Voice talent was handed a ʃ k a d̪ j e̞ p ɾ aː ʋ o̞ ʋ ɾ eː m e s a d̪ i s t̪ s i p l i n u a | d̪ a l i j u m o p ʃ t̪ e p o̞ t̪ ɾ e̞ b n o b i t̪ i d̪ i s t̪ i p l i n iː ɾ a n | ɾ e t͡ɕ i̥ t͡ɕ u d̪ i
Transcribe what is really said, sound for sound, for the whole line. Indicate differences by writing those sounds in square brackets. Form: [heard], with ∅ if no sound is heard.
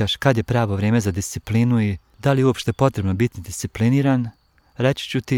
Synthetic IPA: a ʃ k a d̪ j e̞ p ɾ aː ʋ o̞ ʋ ɾ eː m e [z] a d̪ i s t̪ s i p l i n u [i] | d̪ a l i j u [∅] o p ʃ t̪ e p o̞ t̪ ɾ e̞ b n o b i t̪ i d̪ i s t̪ i p l i n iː ɾ a n | ɾ e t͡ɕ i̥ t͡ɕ u [t̪] i